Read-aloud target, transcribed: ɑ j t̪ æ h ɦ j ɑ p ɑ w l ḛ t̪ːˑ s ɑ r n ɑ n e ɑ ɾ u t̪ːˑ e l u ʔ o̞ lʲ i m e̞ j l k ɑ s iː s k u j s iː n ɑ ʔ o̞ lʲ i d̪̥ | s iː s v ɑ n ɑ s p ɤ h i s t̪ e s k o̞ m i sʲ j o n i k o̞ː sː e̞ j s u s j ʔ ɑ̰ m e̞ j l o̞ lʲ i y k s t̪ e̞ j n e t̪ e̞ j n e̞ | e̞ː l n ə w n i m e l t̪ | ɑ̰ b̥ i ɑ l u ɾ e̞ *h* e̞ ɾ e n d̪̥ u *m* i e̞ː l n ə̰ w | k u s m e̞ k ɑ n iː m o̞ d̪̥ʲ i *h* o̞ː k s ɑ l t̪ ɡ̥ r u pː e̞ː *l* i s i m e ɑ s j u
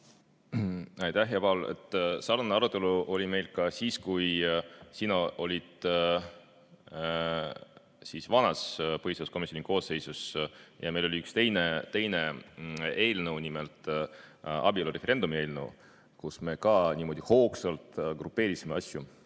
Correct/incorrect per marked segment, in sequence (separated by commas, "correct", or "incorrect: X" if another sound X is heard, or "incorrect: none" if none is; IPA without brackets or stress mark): incorrect: f, correct, correct, incorrect: ɾ